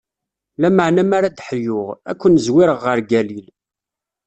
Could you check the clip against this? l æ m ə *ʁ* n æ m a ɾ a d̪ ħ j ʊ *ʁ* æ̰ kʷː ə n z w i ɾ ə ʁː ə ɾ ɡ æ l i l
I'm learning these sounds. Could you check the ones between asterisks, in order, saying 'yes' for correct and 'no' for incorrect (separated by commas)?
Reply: no, yes